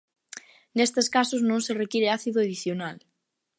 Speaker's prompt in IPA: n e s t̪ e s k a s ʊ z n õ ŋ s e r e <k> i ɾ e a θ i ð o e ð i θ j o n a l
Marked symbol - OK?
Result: yes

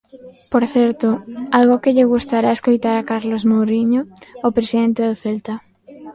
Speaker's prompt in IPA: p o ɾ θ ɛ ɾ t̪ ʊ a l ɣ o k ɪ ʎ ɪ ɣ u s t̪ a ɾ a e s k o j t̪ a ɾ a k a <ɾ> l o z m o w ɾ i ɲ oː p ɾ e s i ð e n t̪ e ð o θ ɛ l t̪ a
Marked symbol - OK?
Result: yes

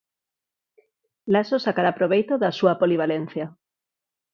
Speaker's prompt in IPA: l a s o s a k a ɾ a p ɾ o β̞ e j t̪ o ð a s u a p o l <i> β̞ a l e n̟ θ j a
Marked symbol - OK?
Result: yes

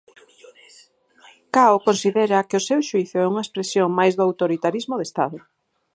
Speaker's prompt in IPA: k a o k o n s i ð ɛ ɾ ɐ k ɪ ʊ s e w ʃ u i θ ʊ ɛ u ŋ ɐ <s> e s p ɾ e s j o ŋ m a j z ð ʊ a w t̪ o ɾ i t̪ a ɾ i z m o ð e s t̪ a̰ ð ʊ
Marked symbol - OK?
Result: no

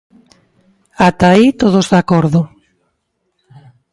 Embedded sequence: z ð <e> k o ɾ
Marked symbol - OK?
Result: no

